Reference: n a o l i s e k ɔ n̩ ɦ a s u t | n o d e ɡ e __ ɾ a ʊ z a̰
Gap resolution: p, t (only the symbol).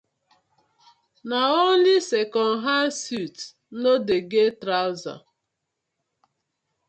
t